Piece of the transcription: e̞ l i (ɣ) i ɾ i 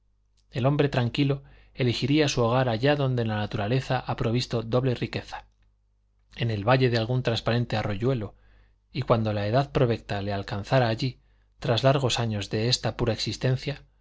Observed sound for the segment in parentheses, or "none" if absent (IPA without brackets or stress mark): x